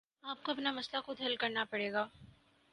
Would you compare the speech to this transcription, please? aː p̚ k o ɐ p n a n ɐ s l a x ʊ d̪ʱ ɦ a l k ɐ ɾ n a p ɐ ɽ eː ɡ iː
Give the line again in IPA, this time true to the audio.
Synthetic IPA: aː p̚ k o ɐ p n a m ɐ s l a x ʊ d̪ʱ ɦ ɐ l k ɐ ɾ n a p ɐ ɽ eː ɡ aː